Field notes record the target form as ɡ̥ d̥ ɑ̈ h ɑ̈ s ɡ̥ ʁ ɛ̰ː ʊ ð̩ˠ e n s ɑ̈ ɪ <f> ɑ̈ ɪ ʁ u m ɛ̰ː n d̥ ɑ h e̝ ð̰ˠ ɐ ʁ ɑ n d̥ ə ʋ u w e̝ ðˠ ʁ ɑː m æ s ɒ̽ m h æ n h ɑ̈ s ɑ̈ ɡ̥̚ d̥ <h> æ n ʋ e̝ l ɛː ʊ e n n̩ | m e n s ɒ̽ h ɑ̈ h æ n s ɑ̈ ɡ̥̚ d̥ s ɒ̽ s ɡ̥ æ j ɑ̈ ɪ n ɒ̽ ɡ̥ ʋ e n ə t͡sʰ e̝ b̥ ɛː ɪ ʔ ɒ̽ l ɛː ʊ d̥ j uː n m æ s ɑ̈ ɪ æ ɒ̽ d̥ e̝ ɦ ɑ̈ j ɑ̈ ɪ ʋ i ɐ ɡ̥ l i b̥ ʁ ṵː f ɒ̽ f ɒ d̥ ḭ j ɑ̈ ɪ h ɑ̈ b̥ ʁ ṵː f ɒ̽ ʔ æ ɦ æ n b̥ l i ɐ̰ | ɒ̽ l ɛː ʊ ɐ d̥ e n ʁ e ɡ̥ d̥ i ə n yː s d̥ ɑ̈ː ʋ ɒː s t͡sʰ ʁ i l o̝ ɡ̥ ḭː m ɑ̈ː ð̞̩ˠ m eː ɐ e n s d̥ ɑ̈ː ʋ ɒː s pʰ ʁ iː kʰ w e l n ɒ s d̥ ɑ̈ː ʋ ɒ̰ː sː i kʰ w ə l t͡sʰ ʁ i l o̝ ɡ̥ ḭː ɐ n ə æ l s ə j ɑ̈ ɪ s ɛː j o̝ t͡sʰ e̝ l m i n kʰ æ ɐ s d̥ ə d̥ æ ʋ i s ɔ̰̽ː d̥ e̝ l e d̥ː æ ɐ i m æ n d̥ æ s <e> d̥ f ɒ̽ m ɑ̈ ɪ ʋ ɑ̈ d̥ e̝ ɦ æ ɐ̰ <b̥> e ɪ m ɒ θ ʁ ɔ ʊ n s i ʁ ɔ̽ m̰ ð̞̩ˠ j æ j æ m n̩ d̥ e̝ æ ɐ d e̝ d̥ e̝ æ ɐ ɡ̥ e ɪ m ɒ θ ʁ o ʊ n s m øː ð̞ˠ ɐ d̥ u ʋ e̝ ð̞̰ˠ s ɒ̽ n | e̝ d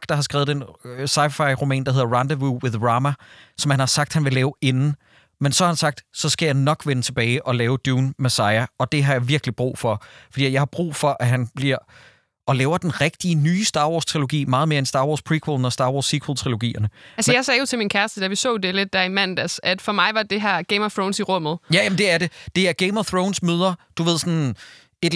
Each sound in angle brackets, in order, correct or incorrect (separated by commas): correct, correct, incorrect, incorrect